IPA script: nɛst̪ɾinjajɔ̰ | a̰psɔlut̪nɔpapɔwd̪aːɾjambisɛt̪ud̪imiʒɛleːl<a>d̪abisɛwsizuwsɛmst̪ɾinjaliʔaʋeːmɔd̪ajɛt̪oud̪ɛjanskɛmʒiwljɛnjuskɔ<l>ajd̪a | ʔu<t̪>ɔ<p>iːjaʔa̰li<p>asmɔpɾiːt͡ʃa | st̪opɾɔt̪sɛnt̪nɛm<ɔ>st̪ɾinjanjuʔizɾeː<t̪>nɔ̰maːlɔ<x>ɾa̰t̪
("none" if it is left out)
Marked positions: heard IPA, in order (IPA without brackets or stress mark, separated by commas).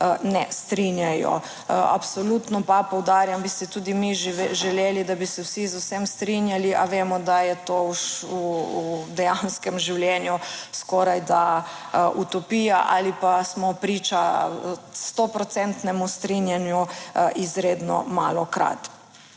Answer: i, ɾ, t̪, p, p, u, d̪, k